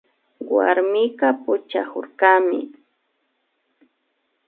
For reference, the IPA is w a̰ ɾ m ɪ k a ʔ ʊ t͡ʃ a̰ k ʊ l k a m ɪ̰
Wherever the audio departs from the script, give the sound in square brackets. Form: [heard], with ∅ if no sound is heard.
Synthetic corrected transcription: w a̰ ɾ m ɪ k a [p] ʊ t͡ʃ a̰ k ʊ [ɾ] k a m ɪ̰